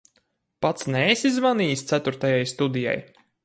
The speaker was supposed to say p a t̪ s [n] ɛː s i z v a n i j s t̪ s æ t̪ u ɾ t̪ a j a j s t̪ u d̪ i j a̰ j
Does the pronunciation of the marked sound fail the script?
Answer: no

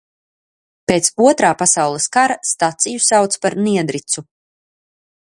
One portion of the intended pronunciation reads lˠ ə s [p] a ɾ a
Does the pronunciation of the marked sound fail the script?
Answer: yes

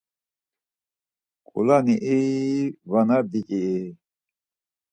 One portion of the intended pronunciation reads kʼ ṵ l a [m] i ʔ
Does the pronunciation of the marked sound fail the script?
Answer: yes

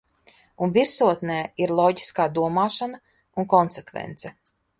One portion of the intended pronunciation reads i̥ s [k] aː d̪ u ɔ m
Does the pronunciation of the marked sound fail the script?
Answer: no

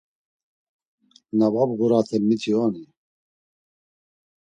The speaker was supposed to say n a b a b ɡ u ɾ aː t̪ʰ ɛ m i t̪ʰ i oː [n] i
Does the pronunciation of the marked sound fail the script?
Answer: no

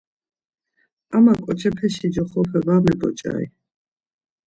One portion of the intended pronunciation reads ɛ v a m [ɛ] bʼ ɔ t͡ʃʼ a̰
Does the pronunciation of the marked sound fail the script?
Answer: no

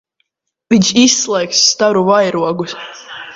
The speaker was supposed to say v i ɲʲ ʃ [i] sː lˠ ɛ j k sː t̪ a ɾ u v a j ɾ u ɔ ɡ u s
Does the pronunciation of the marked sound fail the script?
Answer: no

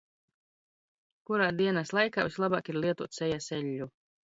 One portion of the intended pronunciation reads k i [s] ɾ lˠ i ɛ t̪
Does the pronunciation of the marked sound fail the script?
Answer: yes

